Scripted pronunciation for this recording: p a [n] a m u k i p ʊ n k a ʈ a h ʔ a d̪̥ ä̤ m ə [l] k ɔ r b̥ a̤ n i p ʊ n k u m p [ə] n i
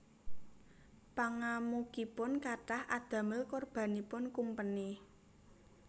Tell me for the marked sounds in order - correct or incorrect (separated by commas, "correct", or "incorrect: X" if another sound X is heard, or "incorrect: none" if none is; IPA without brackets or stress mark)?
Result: incorrect: ŋ, correct, correct